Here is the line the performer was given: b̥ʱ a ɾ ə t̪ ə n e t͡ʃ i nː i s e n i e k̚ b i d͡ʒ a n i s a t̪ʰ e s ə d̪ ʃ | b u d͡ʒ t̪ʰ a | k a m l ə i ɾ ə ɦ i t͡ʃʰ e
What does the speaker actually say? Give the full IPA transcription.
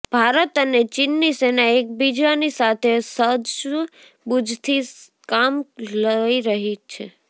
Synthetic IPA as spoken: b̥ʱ a ɾ ə t̪ ə n e t͡ʃ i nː i s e n a e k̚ b i d͡ʒ a n i s a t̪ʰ e s ə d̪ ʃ | b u d͡ʒ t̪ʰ i | k a m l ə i ɾ ə ɦ i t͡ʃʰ e